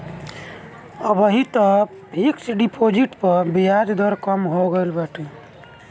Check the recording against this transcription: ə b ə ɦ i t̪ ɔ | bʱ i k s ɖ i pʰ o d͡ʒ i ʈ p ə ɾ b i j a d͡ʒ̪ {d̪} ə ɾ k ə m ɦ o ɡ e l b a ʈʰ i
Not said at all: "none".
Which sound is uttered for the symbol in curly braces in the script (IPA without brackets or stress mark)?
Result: d̪